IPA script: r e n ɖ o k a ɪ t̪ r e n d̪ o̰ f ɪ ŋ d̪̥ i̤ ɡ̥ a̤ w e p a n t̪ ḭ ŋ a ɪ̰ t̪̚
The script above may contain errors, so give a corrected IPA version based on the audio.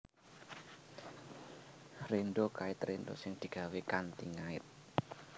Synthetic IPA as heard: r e n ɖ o k a ɪ t̪ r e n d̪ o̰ s ɪ ŋ d̪̥ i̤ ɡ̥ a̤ w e k a n t̪ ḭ ŋ a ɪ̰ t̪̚